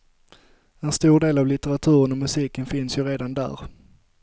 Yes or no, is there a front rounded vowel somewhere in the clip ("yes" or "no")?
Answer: no